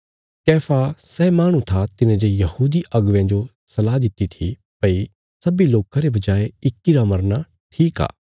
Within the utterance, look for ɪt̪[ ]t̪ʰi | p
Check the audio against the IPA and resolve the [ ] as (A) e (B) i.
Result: B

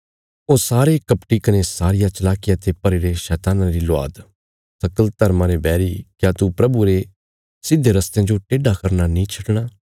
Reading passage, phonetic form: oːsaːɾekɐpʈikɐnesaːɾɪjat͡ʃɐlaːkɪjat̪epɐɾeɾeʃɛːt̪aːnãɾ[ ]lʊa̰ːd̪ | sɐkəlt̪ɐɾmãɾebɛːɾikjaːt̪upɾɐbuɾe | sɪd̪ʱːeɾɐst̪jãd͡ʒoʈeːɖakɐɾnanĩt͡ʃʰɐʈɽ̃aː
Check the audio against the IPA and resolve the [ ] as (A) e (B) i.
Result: B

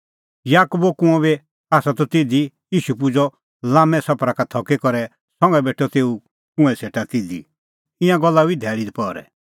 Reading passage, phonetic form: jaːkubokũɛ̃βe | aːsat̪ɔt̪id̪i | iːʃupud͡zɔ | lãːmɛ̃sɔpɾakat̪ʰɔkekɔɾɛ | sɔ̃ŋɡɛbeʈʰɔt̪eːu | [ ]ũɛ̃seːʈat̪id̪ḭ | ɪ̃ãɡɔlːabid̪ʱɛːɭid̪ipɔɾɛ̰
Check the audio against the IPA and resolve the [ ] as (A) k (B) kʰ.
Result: A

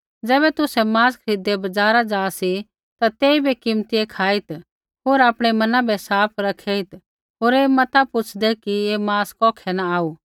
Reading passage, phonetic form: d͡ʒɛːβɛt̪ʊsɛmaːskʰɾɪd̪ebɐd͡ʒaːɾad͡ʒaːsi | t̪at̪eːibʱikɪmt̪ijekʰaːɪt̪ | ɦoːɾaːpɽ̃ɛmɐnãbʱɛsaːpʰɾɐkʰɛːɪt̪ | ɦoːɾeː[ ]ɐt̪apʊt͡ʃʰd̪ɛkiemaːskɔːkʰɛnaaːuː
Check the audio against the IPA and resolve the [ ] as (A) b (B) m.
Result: B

